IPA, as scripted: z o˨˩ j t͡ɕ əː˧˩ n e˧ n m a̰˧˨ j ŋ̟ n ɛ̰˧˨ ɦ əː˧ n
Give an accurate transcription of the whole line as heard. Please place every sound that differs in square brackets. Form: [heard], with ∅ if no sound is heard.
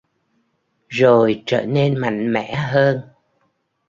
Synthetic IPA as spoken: z o˨˩ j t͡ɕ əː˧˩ n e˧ n m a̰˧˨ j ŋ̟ [m] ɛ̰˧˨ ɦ əː˧ n